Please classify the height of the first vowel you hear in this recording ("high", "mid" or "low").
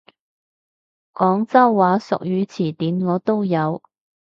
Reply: mid